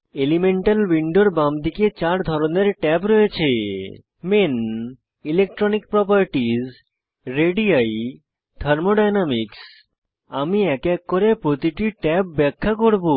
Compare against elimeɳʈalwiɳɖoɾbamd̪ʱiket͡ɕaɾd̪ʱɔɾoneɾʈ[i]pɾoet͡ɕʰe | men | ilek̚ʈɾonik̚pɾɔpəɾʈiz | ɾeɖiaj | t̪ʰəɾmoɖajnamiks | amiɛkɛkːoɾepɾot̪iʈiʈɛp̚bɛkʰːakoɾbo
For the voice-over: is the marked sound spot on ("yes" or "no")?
no